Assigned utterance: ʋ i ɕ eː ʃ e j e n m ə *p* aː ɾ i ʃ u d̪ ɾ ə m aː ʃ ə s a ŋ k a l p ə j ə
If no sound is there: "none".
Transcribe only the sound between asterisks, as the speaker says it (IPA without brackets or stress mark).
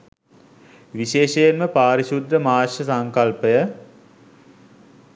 p